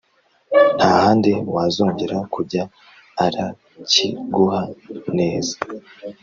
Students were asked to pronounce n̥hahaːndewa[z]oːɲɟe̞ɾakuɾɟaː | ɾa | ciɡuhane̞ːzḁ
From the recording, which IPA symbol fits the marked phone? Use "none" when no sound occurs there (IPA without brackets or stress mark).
z